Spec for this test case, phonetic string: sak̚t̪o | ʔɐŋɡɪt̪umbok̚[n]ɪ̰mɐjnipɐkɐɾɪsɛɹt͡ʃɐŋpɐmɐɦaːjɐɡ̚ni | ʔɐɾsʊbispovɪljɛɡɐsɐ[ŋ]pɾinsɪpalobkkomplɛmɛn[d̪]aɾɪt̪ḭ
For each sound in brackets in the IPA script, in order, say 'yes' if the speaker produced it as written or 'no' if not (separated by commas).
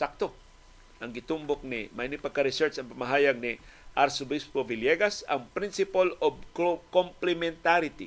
yes, yes, no